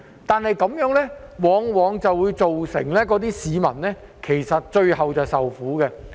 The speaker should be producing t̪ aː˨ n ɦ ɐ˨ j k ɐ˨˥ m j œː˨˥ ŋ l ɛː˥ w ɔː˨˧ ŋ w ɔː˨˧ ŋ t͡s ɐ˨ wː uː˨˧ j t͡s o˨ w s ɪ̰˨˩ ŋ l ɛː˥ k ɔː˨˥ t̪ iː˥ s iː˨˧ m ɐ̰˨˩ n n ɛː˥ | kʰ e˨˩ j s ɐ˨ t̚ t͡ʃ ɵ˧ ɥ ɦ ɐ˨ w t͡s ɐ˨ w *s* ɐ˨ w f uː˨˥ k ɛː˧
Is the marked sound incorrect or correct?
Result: correct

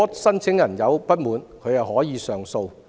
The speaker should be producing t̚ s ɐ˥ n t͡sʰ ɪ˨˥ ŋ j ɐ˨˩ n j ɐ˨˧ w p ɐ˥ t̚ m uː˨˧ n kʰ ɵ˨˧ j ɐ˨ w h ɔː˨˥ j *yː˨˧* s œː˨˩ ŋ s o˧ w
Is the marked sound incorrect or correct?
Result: incorrect: iː˨˧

